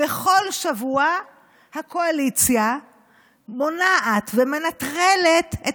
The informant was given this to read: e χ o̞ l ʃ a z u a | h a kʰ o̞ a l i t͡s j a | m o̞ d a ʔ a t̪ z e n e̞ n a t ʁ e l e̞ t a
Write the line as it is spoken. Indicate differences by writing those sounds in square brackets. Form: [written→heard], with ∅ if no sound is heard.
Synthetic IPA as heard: e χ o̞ l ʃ a [z→v] u a | h a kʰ o̞ a l i t͡s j a | m o̞ [d→n] a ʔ a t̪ [z→v] e [n→m] e̞ n a t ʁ e l e̞ t [a→e]